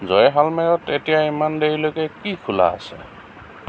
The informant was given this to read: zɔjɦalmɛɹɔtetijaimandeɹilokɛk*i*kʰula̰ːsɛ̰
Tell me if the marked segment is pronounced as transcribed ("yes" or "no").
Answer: yes